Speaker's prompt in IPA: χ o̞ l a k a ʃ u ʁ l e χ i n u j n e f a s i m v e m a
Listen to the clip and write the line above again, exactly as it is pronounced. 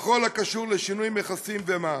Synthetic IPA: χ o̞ l a k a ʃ u ʁ l e ʃ i n u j m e χ a s i m v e m a